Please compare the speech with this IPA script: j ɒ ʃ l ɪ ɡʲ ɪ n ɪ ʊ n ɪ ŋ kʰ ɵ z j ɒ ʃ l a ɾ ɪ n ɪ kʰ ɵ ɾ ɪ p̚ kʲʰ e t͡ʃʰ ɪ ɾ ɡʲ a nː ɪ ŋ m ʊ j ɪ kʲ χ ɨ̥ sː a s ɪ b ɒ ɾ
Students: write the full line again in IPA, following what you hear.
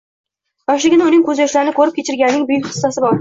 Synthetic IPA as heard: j ɒ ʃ l ɪ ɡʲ ɪ n ɪ ʊ n ɪ ŋ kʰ ɵ z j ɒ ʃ l a ɾ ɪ n ɪ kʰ ɵ ɾ ɪ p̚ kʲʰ e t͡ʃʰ ɪ ɾ ɡʲ a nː ɪ ŋ b ʊ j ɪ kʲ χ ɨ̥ sː a s ɪ b ɒ ɾ